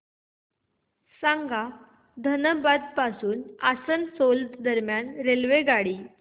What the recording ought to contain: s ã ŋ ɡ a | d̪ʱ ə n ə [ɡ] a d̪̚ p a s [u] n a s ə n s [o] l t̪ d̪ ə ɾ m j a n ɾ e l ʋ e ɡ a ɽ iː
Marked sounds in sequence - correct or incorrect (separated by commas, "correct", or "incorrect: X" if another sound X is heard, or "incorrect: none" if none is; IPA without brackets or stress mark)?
incorrect: b, incorrect: uː, correct